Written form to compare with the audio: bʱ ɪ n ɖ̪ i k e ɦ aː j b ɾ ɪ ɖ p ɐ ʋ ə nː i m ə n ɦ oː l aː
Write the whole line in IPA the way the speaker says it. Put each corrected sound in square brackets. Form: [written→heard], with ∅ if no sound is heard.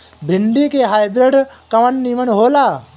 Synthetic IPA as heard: bʱ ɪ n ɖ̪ i k e ɦ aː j b ɾ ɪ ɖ [p→k] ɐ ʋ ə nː i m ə n ɦ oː l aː